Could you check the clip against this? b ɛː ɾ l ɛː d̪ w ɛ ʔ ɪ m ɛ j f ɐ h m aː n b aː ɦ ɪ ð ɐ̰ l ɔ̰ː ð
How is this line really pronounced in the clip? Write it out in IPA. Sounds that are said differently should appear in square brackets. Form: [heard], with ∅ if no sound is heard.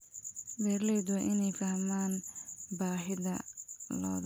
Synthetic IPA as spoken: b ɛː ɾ l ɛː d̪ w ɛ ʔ ɪ [n] ɛ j f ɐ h m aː n b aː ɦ ɪ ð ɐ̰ l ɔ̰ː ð